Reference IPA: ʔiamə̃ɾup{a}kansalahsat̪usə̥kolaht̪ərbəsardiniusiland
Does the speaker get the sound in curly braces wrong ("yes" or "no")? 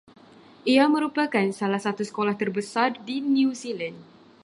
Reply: no